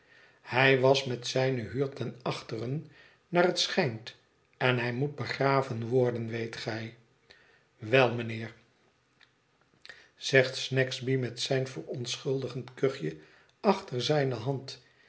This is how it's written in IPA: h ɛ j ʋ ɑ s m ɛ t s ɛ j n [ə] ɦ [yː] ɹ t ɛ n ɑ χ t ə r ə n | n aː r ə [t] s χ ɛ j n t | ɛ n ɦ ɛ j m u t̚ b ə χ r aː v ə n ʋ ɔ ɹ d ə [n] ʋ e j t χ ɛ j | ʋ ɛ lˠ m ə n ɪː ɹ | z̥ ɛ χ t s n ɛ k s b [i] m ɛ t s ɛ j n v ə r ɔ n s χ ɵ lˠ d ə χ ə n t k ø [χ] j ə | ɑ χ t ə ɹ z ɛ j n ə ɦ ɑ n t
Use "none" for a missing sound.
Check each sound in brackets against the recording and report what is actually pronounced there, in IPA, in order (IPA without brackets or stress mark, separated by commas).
ə, yː, t, n, i, χ